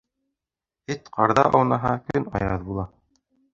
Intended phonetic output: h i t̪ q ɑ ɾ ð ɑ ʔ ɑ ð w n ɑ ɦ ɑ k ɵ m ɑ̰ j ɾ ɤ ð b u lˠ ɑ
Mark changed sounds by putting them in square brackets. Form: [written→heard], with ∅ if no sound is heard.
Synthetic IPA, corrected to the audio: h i t̪ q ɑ ɾ ð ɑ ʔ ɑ [ð→∅] w n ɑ ɦ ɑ k ɵ [m→n] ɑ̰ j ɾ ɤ ð b u lˠ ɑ